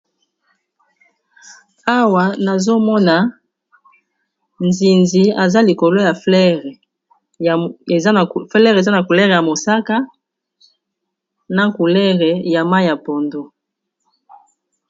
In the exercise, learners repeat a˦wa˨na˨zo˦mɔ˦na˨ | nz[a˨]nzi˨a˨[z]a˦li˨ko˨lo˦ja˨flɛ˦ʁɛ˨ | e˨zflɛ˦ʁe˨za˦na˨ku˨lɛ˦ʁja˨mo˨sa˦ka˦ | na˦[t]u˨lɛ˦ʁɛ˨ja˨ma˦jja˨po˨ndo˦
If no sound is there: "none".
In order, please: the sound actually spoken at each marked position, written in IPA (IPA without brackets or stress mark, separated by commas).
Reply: i˨, z, k